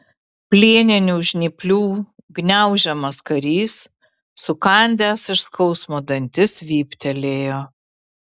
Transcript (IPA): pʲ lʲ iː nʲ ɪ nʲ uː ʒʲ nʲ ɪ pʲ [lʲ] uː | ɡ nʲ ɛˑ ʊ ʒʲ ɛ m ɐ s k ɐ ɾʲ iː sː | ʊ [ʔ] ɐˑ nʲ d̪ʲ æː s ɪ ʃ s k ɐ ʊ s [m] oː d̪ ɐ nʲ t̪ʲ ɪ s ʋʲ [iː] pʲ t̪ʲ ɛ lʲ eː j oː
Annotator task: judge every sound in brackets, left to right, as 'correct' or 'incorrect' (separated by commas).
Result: correct, incorrect, correct, correct